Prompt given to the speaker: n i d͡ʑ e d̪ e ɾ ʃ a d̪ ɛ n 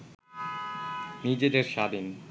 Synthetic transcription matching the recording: n i d͡ʑ e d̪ e ɾ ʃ a d̪ i n